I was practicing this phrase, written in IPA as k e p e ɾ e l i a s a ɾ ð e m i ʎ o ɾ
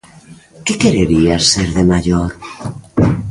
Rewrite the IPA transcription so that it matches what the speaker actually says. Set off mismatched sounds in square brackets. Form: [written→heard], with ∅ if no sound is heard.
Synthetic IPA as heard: k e [p→k] e ɾ e [l→ɾ] i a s [a→e] ɾ ð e m [i→a] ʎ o ɾ